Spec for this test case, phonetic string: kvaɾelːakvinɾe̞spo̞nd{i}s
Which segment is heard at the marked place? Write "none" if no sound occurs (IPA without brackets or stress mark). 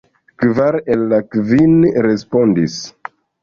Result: i